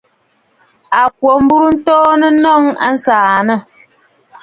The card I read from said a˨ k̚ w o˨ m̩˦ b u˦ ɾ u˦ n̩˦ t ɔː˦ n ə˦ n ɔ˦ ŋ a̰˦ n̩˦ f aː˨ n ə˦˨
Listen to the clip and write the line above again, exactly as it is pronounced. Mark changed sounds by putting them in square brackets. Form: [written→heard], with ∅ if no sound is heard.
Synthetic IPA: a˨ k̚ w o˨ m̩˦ b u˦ ɾ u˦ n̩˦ t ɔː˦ n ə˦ n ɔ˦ ŋ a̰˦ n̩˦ [f→s] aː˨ n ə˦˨

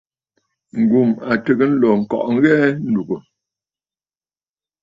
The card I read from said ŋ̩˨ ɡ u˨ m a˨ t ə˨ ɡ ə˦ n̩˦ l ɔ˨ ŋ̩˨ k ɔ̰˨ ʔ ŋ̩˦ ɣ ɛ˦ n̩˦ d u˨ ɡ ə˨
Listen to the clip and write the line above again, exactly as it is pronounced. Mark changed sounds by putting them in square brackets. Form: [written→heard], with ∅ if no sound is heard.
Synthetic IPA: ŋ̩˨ ɡ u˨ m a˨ t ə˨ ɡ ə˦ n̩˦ l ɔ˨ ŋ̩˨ k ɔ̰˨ ʔ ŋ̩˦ ɣ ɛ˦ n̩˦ d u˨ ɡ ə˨

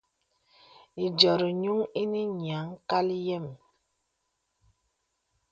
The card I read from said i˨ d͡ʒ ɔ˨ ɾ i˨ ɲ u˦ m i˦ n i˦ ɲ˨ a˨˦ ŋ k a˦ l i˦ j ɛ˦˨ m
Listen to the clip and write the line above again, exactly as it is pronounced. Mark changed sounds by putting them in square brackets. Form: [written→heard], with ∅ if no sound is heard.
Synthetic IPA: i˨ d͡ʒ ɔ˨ ɾ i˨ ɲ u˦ [m→ŋ] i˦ n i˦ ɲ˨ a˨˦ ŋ k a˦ l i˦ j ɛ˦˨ m

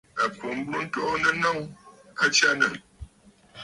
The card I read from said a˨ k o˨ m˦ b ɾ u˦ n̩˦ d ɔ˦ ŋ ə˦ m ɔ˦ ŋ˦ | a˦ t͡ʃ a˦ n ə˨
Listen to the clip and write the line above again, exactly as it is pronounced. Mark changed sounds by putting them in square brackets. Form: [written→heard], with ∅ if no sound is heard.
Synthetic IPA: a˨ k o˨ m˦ b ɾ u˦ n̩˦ [d→t] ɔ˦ [ŋ→n] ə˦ [m→n] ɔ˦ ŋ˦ | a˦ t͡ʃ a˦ n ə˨

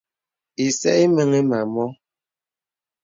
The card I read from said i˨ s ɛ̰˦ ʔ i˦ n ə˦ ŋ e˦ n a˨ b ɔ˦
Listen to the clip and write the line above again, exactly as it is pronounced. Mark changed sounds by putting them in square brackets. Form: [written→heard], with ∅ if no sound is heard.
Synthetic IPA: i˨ s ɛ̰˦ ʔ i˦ [n→m] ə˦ ŋ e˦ [n→m] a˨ [b→m] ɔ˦

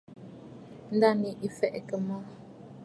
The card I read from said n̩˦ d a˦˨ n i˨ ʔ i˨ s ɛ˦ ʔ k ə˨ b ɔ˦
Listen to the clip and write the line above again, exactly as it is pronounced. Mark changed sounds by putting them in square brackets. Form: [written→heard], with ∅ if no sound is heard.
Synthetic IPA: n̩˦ d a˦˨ n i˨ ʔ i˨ [s→f] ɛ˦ ʔ k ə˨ [b→m] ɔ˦

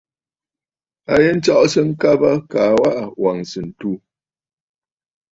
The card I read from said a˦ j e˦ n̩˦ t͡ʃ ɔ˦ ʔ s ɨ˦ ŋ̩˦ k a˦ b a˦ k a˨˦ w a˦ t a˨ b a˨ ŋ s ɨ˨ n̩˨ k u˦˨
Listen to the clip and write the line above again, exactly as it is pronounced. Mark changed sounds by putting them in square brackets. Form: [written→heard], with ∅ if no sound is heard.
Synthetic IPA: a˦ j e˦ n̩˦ t͡ʃ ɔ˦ ʔ s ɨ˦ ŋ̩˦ k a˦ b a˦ k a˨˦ w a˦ [t→ʔ] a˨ [b→w] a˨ ŋ s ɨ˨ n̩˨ [k→t] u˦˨

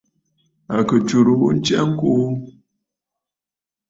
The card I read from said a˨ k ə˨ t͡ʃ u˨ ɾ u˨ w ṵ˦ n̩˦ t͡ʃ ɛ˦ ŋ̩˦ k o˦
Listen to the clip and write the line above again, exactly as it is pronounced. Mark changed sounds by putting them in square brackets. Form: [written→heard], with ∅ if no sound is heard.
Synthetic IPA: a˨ k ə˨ t͡ʃ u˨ ɾ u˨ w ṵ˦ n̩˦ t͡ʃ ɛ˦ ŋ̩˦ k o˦

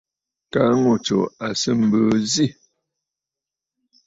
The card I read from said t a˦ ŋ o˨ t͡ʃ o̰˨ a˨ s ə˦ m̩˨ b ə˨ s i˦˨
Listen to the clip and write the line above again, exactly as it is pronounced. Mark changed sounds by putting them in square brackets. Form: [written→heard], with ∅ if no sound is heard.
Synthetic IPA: [t→k] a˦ ŋ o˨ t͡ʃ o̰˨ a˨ s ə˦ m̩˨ b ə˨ [s→z] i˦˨

